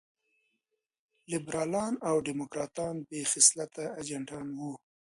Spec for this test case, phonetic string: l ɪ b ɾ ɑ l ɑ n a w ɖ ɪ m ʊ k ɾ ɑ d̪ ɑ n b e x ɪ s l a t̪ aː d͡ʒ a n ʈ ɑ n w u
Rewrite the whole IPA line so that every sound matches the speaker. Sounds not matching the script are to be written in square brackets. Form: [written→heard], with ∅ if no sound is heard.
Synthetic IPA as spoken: l ɪ b ɾ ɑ l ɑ n a w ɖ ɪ m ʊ k ɾ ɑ [d̪→t̪] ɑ n b e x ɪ s l a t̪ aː d͡ʒ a [n→ɳ] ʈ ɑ n w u